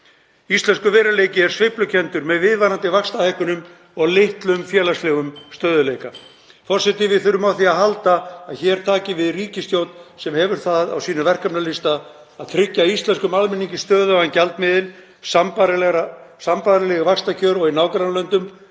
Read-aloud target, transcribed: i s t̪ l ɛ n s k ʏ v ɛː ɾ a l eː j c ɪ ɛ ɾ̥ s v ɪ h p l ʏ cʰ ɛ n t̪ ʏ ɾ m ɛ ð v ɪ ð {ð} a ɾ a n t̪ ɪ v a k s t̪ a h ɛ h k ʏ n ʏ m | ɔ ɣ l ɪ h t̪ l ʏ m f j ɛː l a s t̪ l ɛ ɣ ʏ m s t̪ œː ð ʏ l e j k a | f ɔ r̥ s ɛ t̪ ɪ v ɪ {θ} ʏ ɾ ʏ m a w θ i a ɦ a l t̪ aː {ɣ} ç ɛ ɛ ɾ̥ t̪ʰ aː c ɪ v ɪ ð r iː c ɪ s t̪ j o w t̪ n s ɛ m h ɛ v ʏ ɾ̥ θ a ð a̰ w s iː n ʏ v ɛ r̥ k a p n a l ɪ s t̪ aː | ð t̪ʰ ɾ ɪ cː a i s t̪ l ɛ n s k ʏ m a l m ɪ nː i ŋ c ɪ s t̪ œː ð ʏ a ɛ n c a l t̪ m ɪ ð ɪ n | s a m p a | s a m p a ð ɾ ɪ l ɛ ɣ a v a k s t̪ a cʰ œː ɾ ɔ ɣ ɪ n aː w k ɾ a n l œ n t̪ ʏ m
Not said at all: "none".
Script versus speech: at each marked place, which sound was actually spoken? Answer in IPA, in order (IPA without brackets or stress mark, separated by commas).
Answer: v, θ, ð